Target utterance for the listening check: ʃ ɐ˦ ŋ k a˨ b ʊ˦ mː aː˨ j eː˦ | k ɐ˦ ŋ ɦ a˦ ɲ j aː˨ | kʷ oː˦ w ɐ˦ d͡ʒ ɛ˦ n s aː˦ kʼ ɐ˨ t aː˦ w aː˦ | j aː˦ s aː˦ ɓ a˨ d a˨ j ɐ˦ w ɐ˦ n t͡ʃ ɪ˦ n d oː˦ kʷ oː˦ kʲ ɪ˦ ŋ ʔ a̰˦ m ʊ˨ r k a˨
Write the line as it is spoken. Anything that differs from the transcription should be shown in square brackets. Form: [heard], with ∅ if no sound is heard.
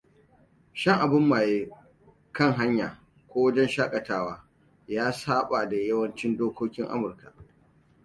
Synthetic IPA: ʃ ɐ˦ ŋ [ʔ] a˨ b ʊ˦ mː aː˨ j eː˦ | k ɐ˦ ŋ ɦ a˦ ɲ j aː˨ | kʷ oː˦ w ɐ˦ d͡ʒ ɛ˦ n [ʃ] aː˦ kʼ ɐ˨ t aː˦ w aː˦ | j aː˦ s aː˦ ɓ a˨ d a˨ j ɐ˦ w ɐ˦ n t͡ʃ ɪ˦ n d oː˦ kʷ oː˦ kʲ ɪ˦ ŋ ʔ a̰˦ m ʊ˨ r k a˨